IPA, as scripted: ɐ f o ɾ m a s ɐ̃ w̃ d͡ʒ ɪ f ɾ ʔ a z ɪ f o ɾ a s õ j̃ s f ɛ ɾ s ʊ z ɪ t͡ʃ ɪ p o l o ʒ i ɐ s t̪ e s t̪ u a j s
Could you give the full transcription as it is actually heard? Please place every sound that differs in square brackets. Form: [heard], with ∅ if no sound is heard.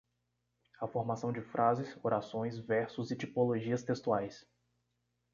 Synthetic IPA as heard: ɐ f o ɾ m a s ɐ̃ w̃ d͡ʒ ɪ f ɾ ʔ a z ɪ [s] o ɾ a s õ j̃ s [v] ɛ ɾ s ʊ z ɪ t͡ʃ [i] p o l o ʒ i ɐ s t̪ e s t̪ u a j s